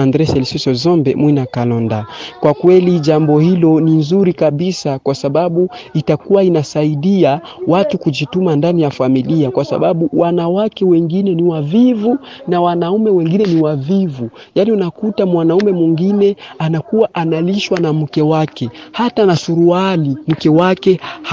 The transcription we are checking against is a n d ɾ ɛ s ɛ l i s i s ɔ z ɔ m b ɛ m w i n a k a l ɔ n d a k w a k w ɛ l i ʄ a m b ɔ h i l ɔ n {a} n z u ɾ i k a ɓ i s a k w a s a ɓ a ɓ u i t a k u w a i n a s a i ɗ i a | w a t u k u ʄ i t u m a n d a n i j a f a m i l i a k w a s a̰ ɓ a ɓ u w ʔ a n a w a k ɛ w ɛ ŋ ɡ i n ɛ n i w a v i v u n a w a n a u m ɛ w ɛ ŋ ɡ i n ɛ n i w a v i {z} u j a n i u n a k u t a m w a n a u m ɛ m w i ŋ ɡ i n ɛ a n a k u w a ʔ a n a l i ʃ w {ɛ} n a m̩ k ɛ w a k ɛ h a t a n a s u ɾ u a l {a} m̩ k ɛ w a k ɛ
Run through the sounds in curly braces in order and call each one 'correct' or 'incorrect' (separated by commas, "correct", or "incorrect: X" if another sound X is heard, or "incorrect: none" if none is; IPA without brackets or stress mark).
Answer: incorrect: i, incorrect: v, incorrect: a, incorrect: i